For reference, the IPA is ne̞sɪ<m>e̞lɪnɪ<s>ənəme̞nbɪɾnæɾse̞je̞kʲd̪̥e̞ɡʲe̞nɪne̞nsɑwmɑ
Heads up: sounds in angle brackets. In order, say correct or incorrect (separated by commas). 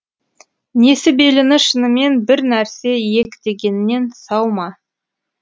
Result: incorrect, incorrect